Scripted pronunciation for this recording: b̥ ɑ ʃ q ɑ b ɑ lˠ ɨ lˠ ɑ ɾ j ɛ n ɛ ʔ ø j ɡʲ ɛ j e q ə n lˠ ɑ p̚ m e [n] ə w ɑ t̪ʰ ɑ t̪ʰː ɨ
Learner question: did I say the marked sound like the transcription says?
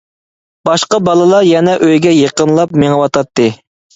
no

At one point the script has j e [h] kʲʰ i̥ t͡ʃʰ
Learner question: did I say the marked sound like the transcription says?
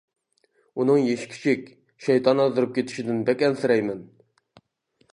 no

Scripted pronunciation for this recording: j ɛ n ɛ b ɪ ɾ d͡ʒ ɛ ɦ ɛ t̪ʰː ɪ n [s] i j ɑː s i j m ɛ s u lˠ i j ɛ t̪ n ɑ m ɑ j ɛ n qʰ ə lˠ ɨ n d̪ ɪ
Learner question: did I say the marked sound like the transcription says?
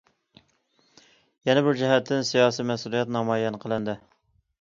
yes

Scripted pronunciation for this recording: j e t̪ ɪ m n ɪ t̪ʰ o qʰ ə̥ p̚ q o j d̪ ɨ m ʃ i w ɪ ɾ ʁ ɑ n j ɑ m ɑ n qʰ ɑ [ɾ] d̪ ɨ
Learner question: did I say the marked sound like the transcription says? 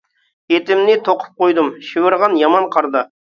yes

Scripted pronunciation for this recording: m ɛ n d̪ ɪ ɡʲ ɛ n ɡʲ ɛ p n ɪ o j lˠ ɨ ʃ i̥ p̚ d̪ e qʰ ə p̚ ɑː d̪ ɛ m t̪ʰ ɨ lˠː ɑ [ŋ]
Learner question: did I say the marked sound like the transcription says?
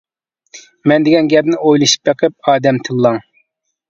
yes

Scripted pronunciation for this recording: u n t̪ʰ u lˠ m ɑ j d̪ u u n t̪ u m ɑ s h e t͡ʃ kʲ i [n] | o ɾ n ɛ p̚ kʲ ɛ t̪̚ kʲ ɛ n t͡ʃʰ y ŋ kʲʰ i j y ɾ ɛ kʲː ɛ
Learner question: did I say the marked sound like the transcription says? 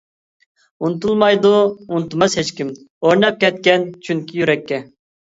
no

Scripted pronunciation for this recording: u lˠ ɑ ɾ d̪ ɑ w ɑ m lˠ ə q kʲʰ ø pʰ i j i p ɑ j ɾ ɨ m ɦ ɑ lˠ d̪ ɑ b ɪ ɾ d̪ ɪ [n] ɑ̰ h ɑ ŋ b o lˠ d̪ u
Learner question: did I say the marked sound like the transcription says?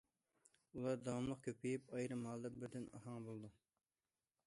yes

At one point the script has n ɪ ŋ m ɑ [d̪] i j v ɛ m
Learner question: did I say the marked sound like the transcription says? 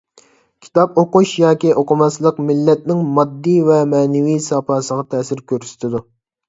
no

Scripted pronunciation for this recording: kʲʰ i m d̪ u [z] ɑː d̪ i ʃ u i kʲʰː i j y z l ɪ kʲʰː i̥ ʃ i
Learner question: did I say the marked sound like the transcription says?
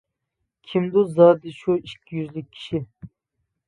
yes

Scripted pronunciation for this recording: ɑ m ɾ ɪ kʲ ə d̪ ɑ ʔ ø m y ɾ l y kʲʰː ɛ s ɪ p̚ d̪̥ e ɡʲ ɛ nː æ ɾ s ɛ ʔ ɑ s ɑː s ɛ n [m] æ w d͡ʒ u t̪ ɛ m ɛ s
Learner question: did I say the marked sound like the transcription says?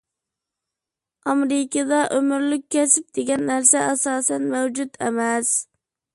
yes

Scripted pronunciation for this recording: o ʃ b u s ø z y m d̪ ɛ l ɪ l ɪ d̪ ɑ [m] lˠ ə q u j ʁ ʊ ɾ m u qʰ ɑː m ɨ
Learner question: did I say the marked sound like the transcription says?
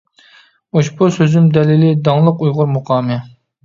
no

